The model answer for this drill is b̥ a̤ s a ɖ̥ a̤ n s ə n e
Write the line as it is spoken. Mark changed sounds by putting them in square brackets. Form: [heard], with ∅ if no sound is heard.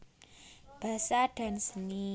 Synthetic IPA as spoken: b̥ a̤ s a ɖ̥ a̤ n s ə n [i]

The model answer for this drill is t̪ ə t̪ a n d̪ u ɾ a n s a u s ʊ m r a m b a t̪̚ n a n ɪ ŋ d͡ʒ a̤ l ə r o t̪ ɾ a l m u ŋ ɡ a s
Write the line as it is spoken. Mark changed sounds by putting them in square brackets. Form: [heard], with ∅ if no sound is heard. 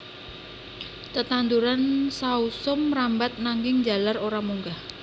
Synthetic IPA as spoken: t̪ ə t̪ a n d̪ u ɾ a n s a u s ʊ m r a m b a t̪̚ n a [ŋ] ɪ ŋ d͡ʒ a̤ l [a] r o [∅] ɾ a [∅] m u ŋ ɡ a [h]

